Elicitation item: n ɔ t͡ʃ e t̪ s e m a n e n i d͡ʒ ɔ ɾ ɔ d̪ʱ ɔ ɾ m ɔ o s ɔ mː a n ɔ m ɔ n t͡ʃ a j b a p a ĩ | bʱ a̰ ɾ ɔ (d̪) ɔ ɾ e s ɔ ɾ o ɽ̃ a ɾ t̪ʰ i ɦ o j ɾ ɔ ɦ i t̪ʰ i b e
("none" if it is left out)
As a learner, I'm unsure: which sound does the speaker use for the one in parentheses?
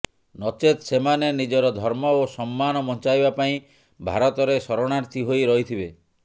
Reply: t̪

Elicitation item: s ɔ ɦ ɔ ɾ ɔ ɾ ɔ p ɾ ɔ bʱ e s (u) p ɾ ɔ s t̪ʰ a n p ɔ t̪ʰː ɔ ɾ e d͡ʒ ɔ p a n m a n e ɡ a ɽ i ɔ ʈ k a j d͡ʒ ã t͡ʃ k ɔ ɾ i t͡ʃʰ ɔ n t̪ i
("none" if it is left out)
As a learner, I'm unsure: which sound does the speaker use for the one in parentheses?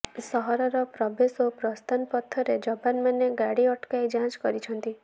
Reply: o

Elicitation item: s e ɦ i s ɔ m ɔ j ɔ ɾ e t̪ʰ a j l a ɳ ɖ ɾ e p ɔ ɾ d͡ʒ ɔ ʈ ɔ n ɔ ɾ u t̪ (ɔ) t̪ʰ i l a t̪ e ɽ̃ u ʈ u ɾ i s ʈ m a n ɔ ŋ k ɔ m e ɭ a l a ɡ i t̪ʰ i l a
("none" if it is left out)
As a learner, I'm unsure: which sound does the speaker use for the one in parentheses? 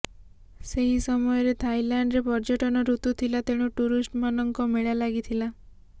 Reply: u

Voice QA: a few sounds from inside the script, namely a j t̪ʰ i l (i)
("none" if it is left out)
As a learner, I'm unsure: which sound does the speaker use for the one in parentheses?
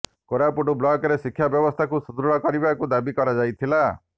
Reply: a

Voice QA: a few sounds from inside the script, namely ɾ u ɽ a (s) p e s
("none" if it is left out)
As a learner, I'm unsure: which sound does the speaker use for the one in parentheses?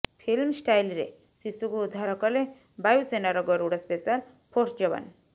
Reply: s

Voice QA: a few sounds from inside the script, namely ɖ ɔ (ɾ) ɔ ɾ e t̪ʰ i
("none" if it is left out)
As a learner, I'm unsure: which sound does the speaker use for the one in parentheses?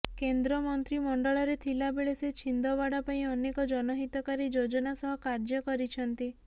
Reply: ɭ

